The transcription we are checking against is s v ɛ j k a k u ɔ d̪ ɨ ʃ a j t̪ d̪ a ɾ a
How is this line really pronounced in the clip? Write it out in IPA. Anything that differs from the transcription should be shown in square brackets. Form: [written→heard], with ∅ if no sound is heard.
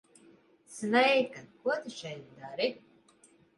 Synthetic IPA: s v ɛ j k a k u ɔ [d̪→t̪] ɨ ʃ [a→ɛ] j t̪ d̪ a ɾ [a→i]

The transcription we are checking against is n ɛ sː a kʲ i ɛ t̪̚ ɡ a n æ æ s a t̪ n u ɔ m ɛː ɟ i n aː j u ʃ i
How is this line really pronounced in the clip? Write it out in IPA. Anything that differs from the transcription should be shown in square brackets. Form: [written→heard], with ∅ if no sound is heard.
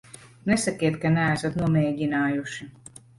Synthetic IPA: n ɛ [sː→s] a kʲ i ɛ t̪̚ [ɡ→k] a n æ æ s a t̪ n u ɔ m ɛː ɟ i n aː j u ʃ i

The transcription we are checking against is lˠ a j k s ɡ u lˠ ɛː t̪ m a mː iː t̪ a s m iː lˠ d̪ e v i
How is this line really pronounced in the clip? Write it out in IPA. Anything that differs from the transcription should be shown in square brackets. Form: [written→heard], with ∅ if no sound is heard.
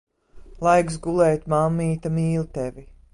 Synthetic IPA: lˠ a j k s ɡ u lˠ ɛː t̪ m a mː iː t̪ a [s→∅] m iː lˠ [d̪→t̪] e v i

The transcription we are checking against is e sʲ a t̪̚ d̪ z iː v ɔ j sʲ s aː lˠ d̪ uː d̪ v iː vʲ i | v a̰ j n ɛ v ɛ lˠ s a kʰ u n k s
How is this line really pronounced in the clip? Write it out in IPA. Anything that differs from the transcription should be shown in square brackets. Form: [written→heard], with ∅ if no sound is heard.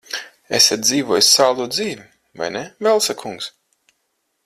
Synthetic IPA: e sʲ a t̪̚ d̪ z iː v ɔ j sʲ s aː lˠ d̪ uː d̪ [v→z] iː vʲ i | v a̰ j n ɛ v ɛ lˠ s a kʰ u [n→ŋ] k s

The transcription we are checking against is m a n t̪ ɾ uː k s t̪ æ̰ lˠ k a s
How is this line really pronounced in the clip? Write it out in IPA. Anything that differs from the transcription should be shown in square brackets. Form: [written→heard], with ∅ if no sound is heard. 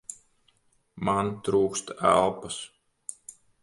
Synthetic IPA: m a n t̪ ɾ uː k s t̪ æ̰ lˠ [k→p] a s

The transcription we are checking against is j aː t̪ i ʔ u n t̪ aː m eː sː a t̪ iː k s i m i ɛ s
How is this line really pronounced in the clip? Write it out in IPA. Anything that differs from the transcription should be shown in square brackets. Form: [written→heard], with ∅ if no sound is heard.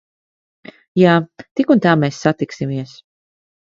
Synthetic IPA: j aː t̪ i [ʔ→k] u n t̪ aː m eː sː a t̪ [iː→i] k s i m i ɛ s

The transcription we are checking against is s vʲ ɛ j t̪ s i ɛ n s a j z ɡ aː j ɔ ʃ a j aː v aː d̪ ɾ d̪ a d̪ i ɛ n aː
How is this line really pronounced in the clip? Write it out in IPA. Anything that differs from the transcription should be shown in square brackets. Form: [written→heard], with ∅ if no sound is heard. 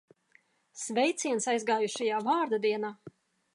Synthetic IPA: s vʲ ɛ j t̪ s i ɛ n s a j z ɡ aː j [ɔ→u] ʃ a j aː v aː [d̪→∅] ɾ d̪ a d̪ i ɛ n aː

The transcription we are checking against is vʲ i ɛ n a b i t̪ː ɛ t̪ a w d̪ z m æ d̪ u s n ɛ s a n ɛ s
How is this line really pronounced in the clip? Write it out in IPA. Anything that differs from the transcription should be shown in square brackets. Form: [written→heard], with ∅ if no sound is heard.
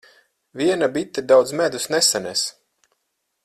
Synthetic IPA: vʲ i ɛ n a b i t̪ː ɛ [t̪→d̪] a w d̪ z m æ d̪ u s n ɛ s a n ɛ s

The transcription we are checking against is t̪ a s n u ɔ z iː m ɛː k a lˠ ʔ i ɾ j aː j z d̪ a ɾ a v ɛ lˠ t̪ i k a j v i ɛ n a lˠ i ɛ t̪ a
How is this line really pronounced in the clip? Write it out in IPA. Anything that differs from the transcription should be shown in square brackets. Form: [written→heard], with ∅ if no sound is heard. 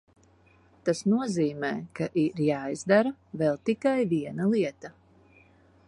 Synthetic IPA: t̪ a s n u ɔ z iː m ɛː k a [lˠ→∅] ʔ i ɾ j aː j z d̪ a ɾ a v ɛ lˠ t̪ i k a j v i ɛ n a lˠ i ɛ t̪ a

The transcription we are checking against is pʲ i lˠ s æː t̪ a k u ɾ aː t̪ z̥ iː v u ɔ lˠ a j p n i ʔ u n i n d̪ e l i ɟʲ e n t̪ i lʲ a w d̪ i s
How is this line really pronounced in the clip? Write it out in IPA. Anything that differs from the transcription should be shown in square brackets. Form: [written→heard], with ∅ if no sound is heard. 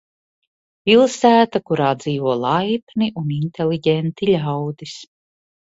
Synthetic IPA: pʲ i lˠ s æː t̪ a k u ɾ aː [t̪→d̪] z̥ iː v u ɔ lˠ a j p n i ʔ u n i n [d̪→t̪] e l i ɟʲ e n t̪ i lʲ a w d̪ i s

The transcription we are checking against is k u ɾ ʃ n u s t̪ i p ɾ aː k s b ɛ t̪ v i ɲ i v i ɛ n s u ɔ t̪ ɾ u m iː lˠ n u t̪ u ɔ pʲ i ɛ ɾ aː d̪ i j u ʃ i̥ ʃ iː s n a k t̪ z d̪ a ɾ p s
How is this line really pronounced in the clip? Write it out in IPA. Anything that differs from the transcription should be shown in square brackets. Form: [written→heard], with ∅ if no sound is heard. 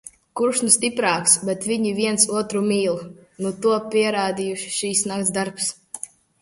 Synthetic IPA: k u ɾ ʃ n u s t̪ i p ɾ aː k s b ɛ t̪ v i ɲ i v i ɛ n s u ɔ t̪ ɾ u m iː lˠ n u t̪ u ɔ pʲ i ɛ ɾ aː d̪ i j u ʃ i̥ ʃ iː s n a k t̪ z d̪ a ɾ p s

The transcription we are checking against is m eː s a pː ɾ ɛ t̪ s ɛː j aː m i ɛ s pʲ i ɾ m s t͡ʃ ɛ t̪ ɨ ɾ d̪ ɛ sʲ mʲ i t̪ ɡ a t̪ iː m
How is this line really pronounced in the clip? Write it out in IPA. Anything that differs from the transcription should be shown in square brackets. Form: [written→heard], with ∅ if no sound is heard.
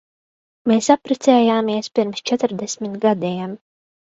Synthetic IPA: m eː s a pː ɾ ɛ t̪ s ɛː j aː m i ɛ s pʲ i ɾ m s t͡ʃ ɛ t̪ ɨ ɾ d̪ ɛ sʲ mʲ i t̪ ɡ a [t̪→d̪] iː m

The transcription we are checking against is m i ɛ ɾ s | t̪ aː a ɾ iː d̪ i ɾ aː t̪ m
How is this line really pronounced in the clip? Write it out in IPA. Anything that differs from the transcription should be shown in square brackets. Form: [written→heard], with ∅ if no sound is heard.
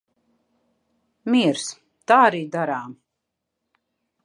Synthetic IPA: m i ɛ ɾ s | t̪ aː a ɾ iː d̪ [i→a] ɾ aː [t̪→∅] m

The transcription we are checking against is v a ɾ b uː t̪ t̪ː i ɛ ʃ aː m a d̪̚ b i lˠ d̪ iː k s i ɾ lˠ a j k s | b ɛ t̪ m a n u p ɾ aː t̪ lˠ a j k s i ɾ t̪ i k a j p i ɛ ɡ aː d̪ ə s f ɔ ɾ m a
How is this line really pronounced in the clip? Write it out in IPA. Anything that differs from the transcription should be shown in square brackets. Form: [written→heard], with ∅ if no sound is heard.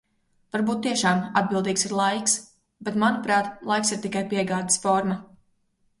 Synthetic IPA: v a ɾ b uː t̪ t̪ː i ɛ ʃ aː m a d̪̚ b i lˠ d̪ iː k s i ɾ lˠ a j k s | b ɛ t̪ m a n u p ɾ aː t̪ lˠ a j k s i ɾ t̪ i k a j p i ɛ ɡ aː d̪ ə s f ɔ ɾ m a

